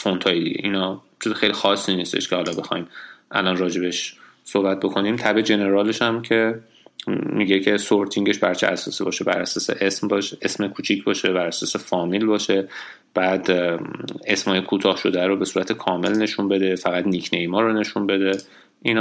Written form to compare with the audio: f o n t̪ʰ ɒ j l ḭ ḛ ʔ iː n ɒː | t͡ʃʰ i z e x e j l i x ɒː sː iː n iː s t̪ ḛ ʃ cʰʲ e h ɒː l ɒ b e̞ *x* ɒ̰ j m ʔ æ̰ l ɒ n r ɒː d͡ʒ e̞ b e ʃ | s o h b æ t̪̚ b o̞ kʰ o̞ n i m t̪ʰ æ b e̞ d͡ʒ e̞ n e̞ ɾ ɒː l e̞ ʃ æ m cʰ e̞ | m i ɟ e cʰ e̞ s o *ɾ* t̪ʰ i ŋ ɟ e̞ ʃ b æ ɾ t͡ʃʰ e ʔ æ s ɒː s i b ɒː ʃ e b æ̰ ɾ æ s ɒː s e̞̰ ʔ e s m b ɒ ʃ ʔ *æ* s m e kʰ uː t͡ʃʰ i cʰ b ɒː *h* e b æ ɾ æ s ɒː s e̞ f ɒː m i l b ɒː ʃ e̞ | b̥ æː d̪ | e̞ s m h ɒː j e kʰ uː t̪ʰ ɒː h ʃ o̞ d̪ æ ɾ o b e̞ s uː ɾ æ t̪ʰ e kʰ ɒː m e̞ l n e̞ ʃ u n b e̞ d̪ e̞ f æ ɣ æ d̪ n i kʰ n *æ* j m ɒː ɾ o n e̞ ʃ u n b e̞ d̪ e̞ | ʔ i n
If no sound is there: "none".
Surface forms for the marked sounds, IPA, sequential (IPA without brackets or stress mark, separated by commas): x, ɾ, e, ʃ, e